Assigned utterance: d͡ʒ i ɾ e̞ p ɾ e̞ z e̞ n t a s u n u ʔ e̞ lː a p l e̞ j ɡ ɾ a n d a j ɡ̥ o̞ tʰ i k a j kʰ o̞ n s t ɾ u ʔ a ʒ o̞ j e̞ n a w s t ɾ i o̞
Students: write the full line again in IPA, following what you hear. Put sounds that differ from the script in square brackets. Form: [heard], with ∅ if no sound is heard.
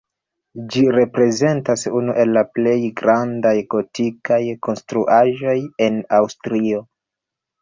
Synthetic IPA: d͡ʒ i ɾ e̞ p ɾ e̞ z e̞ n t a s u n u ʔ e̞ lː a p l e̞ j ɡ ɾ a n d a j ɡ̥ o̞ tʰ i k a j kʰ o̞ n s t ɾ u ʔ a ʒ o̞ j e̞ n a w s t ɾ i o̞